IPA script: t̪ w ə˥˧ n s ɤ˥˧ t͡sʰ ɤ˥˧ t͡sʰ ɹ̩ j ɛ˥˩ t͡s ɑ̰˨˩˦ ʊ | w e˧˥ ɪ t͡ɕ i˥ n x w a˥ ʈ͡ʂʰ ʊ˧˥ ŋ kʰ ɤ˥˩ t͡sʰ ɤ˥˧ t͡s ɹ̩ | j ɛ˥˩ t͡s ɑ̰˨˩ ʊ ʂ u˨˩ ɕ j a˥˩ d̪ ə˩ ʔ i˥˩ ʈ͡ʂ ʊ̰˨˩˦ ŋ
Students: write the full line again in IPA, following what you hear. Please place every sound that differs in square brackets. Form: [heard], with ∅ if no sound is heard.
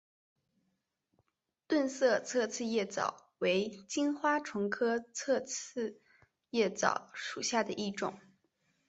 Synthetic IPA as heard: t̪ w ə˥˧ n s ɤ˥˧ t͡sʰ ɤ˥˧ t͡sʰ ɹ̩ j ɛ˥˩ t͡s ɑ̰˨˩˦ ʊ | w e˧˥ ɪ t͡ɕ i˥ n x w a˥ ʈ͡ʂʰ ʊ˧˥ ŋ kʰ [ɤ˥] t͡sʰ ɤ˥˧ [t͡sʰ] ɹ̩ | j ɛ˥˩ t͡s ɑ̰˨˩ ʊ ʂ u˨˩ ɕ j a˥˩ d̪ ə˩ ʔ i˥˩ ʈ͡ʂ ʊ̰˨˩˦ ŋ

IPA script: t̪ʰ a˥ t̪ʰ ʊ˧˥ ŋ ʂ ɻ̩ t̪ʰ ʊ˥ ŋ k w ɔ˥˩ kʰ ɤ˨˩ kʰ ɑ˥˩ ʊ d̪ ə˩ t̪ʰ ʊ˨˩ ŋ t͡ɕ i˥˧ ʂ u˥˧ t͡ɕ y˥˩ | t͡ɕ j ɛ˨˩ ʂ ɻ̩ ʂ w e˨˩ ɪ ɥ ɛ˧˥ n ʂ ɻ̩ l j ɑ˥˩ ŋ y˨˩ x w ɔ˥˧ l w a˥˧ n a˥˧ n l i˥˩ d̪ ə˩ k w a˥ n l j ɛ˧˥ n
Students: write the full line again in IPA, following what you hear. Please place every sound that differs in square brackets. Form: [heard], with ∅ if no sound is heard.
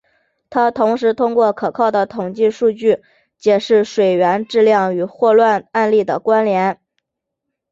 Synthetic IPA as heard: t̪ʰ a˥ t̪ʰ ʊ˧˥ ŋ ʂ ɻ̩ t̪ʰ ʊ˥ ŋ k w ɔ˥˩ kʰ ɤ˨˩ kʰ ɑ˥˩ ʊ d̪ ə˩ t̪ʰ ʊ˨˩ ŋ t͡ɕ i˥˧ ʂ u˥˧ t͡ɕ y˥˩ | t͡ɕ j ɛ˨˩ ʂ ɻ̩ ʂ w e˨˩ ɪ ɥ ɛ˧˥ n [ʈ͡ʂ] ɻ̩ l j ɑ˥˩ ŋ y˨˩ x w ɔ˥˧ l w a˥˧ n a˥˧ n l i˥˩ d̪ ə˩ k w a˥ n l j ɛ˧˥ n

